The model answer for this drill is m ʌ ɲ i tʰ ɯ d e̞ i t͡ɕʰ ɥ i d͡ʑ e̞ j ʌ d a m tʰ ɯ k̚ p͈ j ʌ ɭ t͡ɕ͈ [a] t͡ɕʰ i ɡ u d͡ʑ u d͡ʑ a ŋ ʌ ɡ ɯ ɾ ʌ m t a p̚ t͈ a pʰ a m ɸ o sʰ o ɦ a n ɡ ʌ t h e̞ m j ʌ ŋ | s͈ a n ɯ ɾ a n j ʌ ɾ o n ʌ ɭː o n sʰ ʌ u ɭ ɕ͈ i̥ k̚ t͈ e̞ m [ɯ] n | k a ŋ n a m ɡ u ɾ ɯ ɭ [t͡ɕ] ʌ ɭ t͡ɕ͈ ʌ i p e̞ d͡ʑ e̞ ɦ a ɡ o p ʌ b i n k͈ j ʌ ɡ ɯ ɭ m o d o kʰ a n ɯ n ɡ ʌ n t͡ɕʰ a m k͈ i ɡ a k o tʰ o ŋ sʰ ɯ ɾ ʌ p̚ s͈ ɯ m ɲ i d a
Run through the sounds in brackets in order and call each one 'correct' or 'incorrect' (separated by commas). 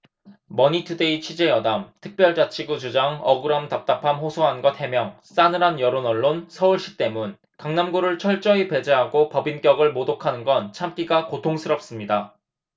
correct, incorrect, incorrect